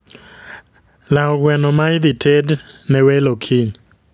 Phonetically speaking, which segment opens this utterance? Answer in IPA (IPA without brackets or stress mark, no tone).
l